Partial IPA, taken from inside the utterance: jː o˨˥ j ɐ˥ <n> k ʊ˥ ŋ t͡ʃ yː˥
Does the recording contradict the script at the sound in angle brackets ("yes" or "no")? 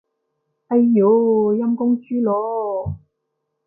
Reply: yes